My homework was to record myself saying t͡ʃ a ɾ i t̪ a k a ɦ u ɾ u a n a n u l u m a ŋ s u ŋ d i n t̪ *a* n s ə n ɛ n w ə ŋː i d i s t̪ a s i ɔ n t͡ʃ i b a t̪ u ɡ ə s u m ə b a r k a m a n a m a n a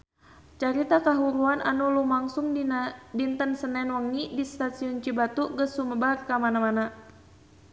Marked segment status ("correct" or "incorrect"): incorrect